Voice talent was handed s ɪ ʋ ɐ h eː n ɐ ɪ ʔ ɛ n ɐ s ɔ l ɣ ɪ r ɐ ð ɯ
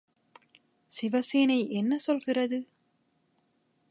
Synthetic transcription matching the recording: s ɪ ʋ ɐ s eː n ɐ ɪ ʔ ɛ nː ɐ s ɔ l ɣ ɪ r ɐ ð ɯ

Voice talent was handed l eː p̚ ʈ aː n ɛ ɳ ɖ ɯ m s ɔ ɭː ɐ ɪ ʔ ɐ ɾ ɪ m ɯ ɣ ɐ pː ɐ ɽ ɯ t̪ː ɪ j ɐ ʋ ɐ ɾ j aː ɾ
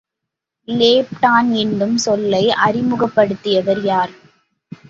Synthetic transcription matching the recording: l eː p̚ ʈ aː n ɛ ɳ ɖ ɯ m s ɔ lː ɐ ɪ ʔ ɐ ɾ ɪ m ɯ ɣ ɐ pː ɐ ɽ ɯ t̪ː ɪ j ɐ ʋ ɐ ɾ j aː ɾ

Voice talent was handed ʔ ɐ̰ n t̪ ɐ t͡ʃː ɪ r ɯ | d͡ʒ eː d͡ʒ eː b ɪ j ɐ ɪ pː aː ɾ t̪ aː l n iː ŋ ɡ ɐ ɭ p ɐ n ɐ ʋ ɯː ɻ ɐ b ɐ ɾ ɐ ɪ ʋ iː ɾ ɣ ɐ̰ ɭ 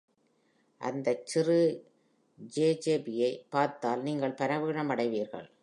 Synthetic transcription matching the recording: ʔ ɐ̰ n d̪ ɐ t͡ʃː ɪ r ɯ | d͡ʒ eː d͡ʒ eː b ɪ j ɐ ɪ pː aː ɾ t̪ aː l n iː ŋ ɡ ɐ ɭ p ɐ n ɐ ʋ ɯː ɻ ɐ m ɐ ɽ ɐ ɪ ʋ iː ɾ ɣ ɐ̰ ɭ

